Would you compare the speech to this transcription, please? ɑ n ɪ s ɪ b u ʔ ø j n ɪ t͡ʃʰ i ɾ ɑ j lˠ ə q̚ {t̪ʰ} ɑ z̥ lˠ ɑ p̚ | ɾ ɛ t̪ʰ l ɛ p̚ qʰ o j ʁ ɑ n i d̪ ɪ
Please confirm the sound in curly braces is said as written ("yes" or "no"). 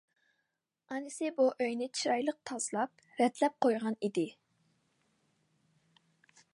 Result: yes